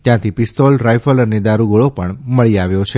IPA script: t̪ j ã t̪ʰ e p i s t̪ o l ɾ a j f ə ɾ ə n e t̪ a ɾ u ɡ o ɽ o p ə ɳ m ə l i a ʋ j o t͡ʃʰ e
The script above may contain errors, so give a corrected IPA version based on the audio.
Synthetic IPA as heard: t̪ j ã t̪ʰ i p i s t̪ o l ɾ a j f ə l ə n e d̪ a ɾ u ɡ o ɭ o p ə ɳ m ə ɭ i a ʋ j o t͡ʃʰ e